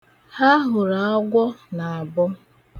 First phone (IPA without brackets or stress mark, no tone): h